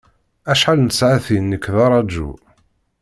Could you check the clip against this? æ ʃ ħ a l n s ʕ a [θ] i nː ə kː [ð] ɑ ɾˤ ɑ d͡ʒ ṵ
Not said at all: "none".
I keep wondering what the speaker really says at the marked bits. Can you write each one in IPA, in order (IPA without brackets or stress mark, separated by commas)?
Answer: θ, ð